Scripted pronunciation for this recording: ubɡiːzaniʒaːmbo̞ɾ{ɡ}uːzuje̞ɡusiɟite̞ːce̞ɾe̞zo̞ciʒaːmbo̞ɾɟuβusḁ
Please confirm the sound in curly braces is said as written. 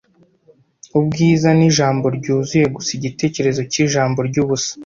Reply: no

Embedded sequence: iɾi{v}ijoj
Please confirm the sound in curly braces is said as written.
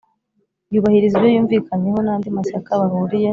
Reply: no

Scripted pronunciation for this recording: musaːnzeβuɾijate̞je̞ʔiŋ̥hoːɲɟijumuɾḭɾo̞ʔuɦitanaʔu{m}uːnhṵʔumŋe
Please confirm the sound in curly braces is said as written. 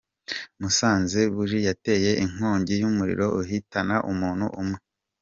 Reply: yes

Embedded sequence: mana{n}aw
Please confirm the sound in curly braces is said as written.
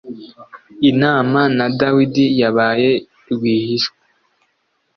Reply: no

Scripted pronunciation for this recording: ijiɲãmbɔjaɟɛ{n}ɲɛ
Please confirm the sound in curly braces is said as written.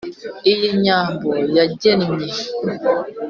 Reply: yes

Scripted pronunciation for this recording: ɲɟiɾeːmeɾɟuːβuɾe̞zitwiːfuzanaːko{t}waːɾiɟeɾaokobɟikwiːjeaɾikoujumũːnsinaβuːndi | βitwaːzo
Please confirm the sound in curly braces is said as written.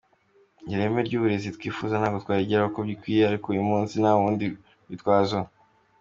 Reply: yes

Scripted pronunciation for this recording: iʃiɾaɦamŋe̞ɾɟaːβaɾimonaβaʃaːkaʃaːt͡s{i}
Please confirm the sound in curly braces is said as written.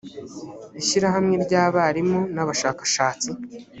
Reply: yes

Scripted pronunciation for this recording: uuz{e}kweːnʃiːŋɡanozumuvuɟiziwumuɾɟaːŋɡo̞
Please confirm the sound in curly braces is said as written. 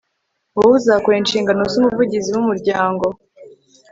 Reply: no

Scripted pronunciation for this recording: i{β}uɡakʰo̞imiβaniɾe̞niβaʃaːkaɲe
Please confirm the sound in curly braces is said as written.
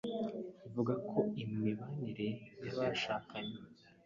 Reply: no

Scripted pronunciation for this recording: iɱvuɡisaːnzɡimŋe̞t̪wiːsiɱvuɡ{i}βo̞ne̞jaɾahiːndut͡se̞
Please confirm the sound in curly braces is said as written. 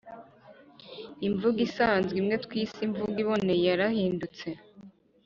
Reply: yes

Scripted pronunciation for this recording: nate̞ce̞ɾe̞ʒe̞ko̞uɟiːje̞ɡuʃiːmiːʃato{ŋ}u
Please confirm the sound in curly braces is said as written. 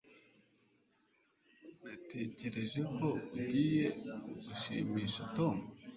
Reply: no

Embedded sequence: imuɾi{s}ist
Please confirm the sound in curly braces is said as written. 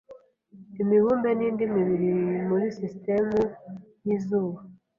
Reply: yes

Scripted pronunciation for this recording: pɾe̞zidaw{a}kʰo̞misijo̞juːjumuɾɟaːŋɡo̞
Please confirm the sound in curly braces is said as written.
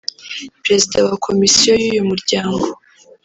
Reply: yes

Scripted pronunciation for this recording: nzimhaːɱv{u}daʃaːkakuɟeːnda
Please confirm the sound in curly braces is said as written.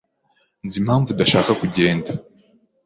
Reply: yes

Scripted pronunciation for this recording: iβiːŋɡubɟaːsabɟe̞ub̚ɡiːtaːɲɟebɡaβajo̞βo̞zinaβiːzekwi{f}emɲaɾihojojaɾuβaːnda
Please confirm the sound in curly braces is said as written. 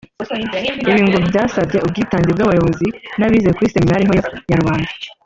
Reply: no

